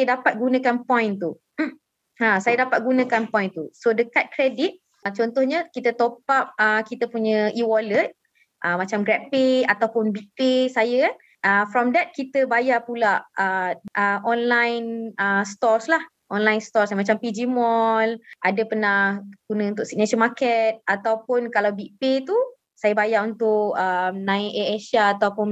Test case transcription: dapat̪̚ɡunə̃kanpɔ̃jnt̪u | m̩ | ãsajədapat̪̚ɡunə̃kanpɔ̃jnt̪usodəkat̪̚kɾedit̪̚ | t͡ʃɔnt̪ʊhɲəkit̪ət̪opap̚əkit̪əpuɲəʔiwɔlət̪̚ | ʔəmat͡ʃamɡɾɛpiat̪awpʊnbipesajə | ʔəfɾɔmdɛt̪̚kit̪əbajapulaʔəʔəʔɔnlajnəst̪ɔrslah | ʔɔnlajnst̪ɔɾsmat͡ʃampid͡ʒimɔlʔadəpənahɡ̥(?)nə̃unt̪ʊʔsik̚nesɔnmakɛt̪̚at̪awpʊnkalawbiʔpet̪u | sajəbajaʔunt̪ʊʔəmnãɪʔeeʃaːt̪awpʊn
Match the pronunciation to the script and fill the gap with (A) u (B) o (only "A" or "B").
A